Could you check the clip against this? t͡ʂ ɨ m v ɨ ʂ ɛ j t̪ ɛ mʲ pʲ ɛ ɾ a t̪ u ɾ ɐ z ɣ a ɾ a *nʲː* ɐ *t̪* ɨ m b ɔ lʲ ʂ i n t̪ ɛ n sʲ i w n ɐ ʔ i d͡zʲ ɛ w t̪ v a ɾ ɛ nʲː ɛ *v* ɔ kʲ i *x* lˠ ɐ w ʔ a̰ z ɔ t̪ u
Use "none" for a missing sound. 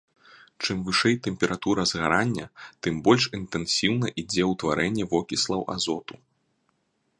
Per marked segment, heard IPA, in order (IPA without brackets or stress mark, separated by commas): nʲː, t̪, v, s